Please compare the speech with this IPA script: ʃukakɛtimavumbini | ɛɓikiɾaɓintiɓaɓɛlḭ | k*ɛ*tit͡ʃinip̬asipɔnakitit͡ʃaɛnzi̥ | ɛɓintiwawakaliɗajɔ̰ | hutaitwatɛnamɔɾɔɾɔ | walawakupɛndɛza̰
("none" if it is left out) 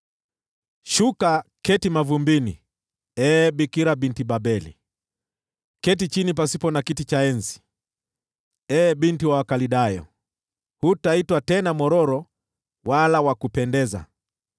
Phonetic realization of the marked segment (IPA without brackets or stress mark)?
ɛ